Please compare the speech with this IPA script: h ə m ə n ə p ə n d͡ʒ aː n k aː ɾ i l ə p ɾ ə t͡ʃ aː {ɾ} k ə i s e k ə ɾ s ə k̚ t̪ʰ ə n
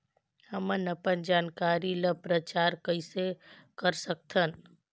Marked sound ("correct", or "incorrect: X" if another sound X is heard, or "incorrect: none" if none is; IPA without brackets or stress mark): correct